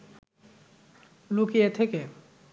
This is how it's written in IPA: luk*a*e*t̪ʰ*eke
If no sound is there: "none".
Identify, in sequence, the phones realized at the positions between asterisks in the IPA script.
i, t̪ʰ

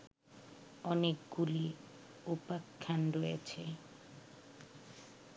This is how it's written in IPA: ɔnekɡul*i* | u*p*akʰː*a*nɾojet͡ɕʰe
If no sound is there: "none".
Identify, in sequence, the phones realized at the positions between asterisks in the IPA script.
i, p, a

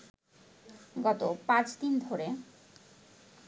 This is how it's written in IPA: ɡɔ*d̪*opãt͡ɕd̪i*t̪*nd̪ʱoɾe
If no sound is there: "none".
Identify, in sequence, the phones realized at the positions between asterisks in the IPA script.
t̪, none

